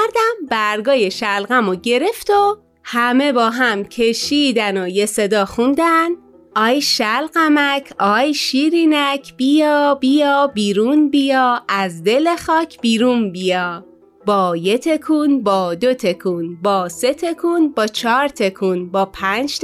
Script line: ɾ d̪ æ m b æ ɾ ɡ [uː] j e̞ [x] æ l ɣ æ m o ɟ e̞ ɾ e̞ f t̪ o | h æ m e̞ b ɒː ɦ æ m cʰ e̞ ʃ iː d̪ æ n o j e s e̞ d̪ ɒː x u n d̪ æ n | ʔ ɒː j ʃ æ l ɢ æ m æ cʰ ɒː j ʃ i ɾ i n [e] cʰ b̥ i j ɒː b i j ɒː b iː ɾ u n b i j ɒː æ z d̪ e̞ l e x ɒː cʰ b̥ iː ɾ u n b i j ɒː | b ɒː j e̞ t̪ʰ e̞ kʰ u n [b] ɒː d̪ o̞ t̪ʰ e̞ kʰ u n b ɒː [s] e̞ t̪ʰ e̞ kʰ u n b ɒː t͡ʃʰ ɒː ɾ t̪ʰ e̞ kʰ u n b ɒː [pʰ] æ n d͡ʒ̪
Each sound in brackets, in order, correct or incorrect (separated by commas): incorrect, incorrect, incorrect, correct, correct, correct